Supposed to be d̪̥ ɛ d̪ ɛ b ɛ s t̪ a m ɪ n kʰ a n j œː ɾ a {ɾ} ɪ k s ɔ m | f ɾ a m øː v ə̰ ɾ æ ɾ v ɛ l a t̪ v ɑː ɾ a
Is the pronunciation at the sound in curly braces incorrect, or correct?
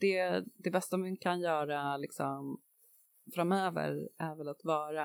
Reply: incorrect